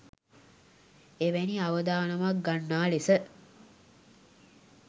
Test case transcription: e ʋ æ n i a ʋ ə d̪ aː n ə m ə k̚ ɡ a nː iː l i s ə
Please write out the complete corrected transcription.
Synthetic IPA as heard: e ʋ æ n i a ʋ ə d̪ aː n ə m a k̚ ɡ a nː aː l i s ə